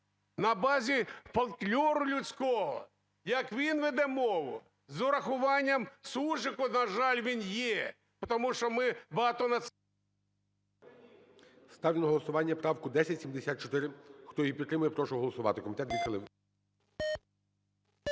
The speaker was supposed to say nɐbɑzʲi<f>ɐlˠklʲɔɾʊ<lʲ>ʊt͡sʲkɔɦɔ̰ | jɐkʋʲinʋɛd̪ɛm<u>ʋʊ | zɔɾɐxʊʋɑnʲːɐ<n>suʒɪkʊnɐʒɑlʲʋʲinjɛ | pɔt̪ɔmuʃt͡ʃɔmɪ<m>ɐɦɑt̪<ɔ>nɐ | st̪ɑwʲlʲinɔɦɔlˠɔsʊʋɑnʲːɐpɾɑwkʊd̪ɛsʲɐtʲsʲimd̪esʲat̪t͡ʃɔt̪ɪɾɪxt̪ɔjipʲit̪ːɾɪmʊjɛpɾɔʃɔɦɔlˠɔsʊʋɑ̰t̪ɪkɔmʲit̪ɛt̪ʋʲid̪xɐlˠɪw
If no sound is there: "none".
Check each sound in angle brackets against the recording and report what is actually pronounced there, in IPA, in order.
f, lʲ, ɔ, m, b, ɔ

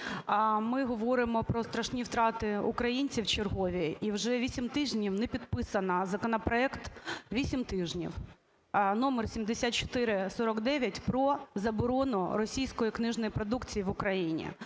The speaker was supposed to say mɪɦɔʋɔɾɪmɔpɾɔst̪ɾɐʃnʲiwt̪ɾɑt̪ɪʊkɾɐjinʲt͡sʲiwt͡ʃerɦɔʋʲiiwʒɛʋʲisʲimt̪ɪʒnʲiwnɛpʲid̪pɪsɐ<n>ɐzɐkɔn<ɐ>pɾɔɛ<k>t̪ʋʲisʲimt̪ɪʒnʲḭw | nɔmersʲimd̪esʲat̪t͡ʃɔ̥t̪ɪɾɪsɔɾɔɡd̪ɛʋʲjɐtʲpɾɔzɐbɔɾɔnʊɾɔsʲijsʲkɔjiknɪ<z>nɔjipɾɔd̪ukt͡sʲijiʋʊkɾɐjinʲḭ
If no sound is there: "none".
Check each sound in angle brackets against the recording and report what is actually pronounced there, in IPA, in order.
n, ɐ, k, ʒ

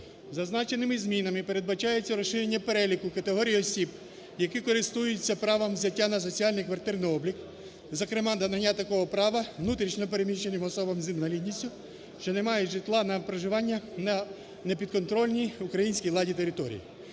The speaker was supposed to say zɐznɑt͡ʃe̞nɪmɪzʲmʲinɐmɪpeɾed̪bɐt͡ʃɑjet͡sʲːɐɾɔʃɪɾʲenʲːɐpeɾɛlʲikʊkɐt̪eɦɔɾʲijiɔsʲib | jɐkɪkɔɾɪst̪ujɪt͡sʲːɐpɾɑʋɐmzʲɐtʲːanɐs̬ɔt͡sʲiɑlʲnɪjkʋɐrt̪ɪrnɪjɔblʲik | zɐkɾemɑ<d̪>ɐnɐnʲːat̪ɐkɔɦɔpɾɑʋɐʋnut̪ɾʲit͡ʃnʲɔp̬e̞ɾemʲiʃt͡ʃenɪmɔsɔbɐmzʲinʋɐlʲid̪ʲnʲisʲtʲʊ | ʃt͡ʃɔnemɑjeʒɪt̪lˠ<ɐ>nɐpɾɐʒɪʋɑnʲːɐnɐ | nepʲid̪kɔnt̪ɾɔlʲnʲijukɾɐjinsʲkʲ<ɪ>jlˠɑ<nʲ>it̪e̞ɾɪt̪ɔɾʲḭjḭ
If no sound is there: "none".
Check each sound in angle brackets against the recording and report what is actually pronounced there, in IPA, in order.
d̪, ɑ, i, dʲ

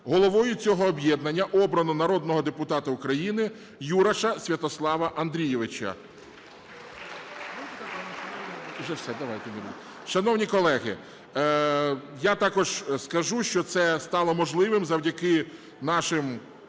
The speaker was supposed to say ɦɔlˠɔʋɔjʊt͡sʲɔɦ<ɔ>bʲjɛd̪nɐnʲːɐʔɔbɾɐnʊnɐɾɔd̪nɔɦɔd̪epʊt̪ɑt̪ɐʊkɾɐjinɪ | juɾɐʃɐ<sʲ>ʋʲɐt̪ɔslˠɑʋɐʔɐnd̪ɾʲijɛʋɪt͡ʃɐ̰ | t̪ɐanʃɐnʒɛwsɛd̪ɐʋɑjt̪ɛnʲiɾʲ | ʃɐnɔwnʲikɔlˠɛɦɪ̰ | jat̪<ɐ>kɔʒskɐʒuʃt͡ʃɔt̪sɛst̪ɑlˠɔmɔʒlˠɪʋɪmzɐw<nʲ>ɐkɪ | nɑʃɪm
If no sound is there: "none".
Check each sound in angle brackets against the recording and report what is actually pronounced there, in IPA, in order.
ɔː, sʲ, ɑ, dʲ

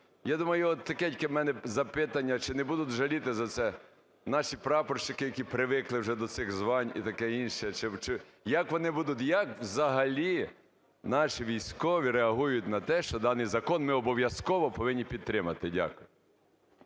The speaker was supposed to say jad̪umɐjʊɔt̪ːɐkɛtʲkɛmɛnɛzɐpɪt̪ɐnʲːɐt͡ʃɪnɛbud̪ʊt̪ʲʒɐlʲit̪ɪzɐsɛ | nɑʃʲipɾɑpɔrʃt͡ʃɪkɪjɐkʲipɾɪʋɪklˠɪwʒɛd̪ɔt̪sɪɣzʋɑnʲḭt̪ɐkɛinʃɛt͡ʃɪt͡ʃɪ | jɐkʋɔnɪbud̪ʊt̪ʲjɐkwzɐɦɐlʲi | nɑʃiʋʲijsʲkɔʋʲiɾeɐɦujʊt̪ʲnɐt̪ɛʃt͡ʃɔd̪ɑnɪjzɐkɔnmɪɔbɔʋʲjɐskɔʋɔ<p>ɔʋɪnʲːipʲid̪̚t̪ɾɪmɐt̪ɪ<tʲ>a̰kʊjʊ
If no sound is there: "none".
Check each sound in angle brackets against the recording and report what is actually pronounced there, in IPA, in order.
p, dʲ

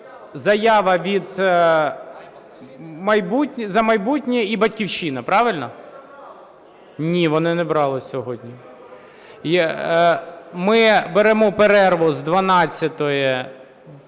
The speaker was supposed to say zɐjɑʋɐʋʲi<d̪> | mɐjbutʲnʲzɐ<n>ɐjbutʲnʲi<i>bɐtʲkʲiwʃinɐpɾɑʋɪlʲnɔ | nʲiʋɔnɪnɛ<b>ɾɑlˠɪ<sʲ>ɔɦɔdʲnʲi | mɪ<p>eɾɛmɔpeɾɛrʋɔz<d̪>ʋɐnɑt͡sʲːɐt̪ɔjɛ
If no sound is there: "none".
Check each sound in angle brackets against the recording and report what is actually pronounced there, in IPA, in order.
d̪, m, i, b, sʲ, b, d̪

